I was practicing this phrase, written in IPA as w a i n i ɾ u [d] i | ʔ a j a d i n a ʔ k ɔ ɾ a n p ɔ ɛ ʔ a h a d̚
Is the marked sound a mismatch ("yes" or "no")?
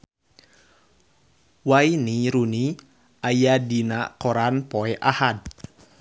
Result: yes